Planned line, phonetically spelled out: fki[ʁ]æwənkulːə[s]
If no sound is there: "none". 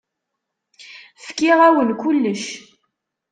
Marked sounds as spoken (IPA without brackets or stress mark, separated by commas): ʁ, ʃ